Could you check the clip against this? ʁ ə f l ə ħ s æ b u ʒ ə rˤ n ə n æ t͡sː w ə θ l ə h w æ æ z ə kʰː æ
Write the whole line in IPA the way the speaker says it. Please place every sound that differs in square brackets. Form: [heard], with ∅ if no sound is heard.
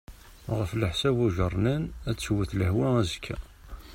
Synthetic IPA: ʁ ə f l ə ħ s æ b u ʒ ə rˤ n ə n æ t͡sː w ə θ l ə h w æ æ z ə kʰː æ